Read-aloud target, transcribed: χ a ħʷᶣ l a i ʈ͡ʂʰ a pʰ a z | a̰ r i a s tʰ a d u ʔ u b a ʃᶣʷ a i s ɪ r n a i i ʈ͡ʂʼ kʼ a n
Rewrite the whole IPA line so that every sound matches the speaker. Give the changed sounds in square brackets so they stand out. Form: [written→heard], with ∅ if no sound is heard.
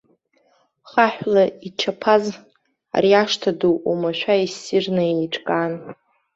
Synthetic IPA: χ a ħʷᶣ l a i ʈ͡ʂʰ a pʰ a z | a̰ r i a [s→ʂ] tʰ a d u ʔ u [b→m] a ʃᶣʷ a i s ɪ r n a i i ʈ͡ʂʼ kʼ a n

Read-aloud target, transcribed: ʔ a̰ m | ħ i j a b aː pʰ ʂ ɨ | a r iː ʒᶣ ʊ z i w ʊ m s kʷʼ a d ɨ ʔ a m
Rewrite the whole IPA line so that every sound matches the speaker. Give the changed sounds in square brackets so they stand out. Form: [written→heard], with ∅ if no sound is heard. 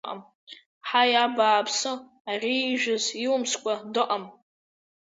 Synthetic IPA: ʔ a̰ m | ħ [i→a] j a b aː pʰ [ʂ→s] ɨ | a r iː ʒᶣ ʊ z i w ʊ m s kʷʼ a d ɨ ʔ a m

